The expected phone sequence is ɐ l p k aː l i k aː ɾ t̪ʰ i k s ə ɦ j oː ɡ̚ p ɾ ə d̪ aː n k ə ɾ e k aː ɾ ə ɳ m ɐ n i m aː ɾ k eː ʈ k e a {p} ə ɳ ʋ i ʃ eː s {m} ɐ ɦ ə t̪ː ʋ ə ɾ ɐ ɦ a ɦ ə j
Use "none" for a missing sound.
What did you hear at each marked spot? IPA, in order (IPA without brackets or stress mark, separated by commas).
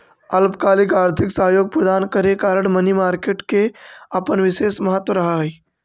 p, m